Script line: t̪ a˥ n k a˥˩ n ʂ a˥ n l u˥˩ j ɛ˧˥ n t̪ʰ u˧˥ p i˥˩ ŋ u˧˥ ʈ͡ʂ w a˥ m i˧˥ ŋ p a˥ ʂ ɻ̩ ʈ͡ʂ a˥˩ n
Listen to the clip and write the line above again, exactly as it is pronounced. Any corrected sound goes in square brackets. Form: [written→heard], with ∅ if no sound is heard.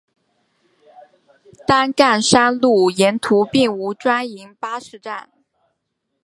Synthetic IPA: t̪ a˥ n k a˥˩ n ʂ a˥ n l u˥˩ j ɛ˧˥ n t̪ʰ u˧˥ p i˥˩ ŋ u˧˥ ʈ͡ʂ w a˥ [m→n] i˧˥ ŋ p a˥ ʂ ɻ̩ ʈ͡ʂ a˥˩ n